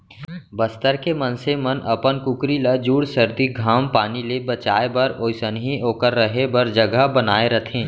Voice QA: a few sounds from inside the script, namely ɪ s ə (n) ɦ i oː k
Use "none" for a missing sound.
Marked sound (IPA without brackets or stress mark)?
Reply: n